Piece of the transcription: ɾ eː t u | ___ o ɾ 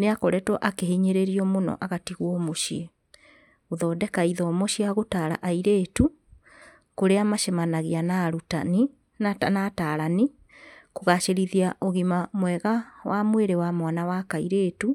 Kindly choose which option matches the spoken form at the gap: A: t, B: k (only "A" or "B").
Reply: B